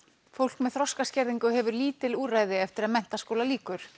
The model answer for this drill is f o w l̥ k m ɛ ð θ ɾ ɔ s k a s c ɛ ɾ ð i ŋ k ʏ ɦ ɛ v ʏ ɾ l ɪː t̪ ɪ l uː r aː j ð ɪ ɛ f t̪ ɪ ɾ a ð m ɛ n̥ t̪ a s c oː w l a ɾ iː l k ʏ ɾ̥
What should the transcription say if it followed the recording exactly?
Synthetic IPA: f o w l̥ k m ɛ ð θ ɾ ɔ s k a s c ɛ ɾ ð i ŋ k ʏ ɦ ɛ v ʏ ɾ l iː t̪ ɪ l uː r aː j ð ɪ ɛ f t̪ ɪ ɾ a ð m ɛ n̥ t̪ a s k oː w l a l iː k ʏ ɾ̥